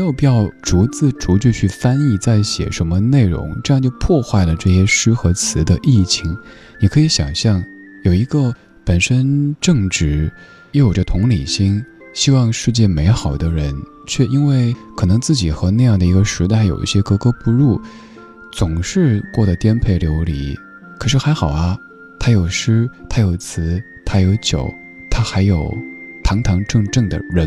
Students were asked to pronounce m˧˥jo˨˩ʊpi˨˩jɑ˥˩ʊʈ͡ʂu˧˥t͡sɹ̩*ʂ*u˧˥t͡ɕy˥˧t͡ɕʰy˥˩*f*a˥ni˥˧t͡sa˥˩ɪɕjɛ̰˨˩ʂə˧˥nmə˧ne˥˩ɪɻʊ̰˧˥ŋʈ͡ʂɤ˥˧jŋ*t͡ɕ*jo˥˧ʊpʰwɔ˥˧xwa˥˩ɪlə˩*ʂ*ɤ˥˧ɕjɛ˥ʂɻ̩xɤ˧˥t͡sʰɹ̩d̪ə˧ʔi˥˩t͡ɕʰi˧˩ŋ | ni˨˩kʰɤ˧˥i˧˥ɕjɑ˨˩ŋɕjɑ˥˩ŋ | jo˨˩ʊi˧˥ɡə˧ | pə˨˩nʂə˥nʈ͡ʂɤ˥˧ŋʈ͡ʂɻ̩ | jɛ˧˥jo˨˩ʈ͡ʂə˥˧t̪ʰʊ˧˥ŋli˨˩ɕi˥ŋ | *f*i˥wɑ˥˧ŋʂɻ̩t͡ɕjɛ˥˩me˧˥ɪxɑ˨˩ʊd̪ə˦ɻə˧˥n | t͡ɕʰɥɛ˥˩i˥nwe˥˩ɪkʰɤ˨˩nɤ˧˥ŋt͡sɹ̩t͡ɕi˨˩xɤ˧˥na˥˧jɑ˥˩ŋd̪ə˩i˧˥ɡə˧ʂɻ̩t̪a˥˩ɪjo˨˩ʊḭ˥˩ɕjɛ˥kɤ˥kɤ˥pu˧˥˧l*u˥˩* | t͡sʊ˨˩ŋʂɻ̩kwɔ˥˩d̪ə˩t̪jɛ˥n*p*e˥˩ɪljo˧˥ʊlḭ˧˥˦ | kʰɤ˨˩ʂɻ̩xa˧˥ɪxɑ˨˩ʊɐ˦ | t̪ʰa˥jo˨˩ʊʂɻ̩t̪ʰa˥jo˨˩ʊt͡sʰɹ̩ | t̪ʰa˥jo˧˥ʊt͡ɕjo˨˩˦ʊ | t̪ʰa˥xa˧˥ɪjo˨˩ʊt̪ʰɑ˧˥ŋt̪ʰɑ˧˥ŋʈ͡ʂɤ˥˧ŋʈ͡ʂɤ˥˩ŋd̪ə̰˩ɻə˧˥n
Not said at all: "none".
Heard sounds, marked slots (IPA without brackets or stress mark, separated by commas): ʈ͡ʂ, f, t͡ɕ, ʈ͡ʂ, ɕ, u˥˩, pʰ